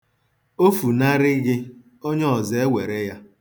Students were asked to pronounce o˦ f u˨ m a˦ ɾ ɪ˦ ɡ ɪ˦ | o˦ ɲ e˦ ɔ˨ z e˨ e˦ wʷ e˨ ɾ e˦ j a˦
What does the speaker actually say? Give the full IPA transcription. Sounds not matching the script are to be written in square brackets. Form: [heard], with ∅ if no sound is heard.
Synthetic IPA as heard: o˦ f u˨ [n] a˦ ɾ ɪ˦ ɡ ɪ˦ | o˦ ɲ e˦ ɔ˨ z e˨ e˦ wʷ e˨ ɾ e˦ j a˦